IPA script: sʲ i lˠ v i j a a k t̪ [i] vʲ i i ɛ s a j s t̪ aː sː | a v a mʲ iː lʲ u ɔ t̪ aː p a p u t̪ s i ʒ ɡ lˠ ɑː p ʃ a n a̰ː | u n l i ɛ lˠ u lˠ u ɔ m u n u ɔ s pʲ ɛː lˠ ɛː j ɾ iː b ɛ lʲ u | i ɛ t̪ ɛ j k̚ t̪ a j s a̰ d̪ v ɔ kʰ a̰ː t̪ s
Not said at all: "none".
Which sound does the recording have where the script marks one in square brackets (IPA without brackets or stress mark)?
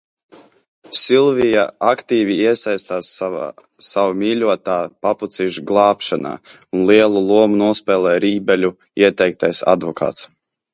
iː